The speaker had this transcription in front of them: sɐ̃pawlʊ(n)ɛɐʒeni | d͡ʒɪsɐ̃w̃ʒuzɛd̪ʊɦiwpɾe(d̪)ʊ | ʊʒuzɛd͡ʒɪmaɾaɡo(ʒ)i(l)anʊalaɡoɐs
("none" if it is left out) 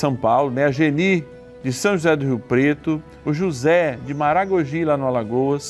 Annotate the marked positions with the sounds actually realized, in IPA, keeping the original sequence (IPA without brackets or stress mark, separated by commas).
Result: n, t̪, ʒ, l